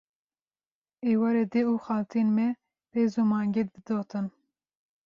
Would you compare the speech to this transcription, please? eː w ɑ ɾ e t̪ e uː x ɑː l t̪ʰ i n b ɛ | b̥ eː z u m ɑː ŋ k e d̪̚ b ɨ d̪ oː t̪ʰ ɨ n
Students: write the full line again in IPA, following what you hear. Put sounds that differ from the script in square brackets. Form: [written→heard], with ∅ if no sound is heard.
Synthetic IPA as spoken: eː w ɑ ɾ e [t̪→d̪] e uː x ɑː l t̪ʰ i n [b→m] ɛ | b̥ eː z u m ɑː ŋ [k→ɡ] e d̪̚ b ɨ d̪ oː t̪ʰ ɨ n